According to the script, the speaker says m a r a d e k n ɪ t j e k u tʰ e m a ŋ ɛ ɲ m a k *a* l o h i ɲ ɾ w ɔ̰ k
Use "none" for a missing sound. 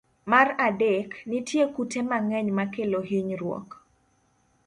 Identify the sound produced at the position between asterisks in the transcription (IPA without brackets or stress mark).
e